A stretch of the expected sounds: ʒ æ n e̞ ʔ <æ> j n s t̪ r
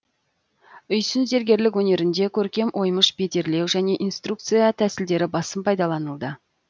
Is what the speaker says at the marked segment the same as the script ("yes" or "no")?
no